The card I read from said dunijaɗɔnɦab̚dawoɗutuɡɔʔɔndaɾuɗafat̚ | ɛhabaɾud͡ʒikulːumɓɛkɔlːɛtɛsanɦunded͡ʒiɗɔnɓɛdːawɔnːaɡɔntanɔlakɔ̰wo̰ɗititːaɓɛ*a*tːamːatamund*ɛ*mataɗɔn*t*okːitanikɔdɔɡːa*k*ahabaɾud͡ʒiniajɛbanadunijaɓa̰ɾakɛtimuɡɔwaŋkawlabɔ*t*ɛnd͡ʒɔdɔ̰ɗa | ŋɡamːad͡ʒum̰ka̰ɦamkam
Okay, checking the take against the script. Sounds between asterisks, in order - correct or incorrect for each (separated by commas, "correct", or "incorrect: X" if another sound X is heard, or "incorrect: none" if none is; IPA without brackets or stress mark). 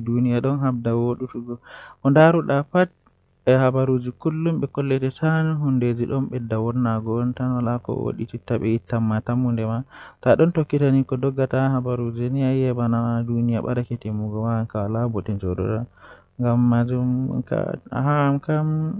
incorrect: i, correct, correct, incorrect: t, correct